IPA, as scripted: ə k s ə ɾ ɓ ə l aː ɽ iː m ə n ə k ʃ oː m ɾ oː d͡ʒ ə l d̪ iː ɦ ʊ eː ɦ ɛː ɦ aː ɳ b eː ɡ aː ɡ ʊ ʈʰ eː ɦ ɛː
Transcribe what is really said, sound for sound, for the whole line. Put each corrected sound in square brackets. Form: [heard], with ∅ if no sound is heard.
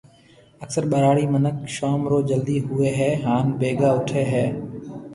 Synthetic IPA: ə k s ə ɾ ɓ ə [ɾ] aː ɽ iː m ə n ə k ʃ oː m ɾ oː d͡ʒ ə l d̪ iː ɦ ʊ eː ɦ ɛː ɦ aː [n] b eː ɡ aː [∅] ʊ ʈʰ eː ɦ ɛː

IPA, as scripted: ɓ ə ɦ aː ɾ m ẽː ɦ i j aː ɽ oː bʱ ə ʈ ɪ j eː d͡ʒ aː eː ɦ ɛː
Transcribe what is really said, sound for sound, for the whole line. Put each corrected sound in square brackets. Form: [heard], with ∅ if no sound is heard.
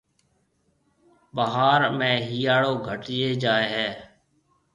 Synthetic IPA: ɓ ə ɦ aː ɾ m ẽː ɦ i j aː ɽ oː [ɡʱ] ə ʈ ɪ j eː d͡ʒ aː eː ɦ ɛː

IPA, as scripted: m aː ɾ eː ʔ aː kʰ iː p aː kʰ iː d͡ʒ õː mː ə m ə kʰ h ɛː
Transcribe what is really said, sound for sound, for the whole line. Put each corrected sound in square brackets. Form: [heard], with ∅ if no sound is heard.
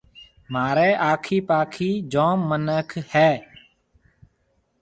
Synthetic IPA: m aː ɾ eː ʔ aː kʰ iː p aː kʰ iː d͡ʒ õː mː ə [n] ə kʰ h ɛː

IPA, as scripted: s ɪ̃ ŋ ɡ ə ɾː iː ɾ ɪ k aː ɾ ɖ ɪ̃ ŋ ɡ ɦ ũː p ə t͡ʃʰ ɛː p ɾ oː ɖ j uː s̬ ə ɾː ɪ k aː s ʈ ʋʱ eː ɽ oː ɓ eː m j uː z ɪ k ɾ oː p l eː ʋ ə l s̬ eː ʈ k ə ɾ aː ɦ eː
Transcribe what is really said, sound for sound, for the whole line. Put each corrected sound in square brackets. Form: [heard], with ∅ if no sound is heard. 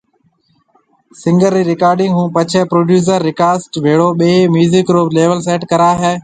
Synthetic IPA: s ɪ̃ ŋ ɡ ə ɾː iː ɾ ɪ k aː ɾ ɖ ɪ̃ ŋ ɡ ɦ ũː p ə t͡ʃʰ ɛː p ɾ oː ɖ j uː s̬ ə ɾː ɪ k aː s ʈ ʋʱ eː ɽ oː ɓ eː m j uː z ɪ k ɾ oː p l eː ʋ ə l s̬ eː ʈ k ə ɾ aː ɦ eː

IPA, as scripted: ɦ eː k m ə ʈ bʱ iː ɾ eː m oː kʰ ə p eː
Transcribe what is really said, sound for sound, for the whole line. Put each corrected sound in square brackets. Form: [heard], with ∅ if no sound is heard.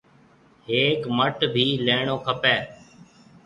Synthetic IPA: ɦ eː k m ə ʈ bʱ iː [l] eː [ɳ] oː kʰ ə p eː

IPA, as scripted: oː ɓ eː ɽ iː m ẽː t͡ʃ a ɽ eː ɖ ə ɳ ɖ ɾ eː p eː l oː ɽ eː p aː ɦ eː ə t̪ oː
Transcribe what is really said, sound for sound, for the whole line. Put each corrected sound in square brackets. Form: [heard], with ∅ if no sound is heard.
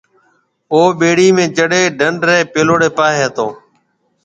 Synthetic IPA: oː ɓ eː ɽ iː m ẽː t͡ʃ [ə] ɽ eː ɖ ə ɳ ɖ ɾ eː p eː l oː ɽ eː p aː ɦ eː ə t̪ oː

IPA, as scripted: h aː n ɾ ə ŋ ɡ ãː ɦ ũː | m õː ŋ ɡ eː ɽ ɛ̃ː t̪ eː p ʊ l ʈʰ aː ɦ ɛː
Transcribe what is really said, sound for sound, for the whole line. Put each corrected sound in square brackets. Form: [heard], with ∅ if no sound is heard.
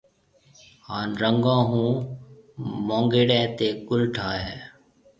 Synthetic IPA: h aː n ɾ ə ŋ ɡ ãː ɦ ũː | m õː ŋ ɡ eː ɽ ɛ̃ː t̪ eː [k] ʊ l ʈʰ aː ɦ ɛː

